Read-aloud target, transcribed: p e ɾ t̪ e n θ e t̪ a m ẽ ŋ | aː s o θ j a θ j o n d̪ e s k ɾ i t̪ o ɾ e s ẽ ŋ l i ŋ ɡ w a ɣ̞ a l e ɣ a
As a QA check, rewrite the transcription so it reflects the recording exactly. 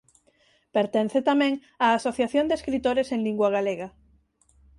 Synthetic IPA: p e ɾ t̪ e n θ e t̪ a m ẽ ŋ | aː s o θ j a θ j o n d̪ e s k ɾ i t̪ o ɾ e s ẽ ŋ l i ŋ ɡ w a ɣ̞ a l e ɣ a